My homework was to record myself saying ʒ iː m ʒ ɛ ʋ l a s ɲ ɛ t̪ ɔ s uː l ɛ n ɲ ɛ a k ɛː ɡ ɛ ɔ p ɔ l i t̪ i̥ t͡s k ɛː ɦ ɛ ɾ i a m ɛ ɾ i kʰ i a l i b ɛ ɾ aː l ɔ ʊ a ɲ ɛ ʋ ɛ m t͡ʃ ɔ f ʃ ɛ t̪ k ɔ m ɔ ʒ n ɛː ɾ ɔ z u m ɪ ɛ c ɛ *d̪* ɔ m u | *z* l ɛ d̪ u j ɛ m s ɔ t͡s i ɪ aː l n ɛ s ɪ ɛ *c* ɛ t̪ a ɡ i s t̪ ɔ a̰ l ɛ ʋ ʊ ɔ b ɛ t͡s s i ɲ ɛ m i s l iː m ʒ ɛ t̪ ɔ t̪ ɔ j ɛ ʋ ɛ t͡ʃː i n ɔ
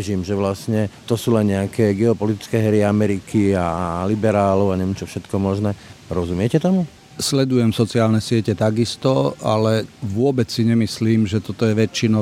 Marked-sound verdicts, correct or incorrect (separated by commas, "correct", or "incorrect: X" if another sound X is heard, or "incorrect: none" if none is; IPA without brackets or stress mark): incorrect: t̪, incorrect: s, correct